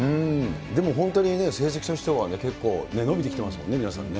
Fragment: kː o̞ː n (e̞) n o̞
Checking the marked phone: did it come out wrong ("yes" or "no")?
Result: no